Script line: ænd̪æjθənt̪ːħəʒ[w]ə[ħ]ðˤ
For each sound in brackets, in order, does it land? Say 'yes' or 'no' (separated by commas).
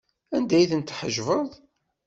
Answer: no, no